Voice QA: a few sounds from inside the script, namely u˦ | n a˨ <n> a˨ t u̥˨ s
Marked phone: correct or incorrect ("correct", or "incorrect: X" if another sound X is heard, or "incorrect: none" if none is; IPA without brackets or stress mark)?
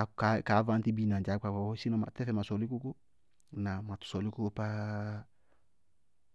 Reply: incorrect: m